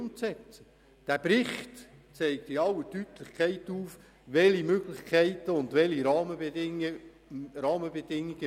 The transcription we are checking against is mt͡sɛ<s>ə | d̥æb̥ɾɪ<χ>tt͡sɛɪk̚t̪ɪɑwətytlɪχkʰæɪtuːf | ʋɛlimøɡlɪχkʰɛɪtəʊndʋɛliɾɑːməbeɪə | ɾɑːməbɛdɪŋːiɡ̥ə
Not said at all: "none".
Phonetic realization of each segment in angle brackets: t͡s, χ

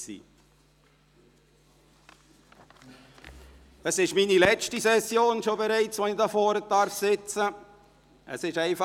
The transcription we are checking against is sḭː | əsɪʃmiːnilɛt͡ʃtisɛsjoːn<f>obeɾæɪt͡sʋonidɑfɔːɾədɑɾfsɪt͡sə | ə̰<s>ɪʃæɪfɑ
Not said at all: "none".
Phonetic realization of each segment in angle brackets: ʃ, s

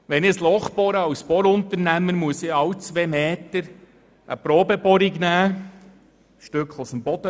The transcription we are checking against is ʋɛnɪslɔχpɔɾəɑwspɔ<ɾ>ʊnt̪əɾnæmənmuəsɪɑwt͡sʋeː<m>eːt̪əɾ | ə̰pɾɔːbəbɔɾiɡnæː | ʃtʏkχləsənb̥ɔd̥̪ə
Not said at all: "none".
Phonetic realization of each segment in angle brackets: ɾ, m

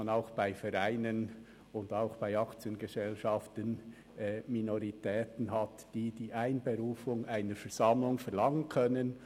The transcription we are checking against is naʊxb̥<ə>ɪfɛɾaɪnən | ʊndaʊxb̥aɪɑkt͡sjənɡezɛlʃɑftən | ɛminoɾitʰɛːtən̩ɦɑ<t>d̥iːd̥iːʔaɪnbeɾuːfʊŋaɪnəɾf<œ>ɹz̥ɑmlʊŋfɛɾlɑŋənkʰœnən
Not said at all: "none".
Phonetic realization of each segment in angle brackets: a, t, ɛ

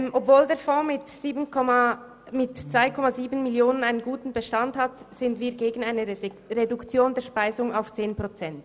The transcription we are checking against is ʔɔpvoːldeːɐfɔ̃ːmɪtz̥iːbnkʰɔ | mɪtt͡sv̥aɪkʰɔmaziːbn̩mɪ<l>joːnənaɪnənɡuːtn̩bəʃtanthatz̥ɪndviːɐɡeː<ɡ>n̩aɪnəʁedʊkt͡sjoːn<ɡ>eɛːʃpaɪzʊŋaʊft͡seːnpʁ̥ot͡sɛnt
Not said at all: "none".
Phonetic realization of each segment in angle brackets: l, ɡ, d

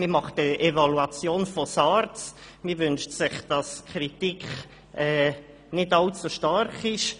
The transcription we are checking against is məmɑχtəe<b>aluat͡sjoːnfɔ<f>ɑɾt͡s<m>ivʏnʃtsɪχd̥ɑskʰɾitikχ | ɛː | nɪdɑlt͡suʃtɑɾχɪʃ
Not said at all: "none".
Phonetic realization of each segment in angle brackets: v, s, m

